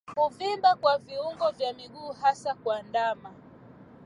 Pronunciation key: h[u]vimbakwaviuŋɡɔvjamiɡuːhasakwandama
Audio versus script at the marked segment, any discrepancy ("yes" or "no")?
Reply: no